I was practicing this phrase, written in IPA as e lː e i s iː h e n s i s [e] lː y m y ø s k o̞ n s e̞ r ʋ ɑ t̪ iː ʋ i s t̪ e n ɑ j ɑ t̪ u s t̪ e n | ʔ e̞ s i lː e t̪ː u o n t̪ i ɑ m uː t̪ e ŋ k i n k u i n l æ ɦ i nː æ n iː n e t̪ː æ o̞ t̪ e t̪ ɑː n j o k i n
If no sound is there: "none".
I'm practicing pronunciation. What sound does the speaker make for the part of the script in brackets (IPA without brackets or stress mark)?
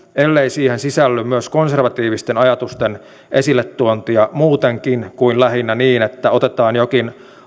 æ